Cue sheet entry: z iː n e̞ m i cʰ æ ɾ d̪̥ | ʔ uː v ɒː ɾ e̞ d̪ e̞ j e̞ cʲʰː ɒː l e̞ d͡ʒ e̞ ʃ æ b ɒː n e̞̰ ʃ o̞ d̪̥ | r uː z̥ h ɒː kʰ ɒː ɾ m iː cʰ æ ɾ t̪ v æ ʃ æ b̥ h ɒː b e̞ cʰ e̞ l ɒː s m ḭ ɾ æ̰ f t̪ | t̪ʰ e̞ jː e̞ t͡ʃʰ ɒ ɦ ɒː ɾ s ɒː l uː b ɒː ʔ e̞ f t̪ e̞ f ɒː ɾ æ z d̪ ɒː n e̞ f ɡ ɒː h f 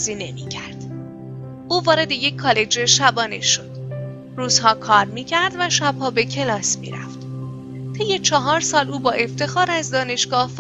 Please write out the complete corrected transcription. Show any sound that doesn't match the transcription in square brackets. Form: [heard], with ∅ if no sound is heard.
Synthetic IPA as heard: z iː n e̞ m i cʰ æ ɾ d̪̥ | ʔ uː v ɒː ɾ e̞ d̪ e̞ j e̞ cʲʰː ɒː l e̞ d͡ʒ e̞ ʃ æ b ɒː n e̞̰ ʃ o̞ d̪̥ | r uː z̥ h ɒː kʰ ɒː ɾ m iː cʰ æ ɾ [d̪] v æ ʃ æ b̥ h ɒː b e̞ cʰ e̞ l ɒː s m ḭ ɾ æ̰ f t̪ | t̪ʰ e̞ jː e̞ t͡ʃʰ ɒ ɦ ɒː ɾ s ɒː l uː b ɒː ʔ e̞ f t̪ e̞ [x] ɒː ɾ æ z d̪ ɒː n e̞ [ʃ] ɡ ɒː h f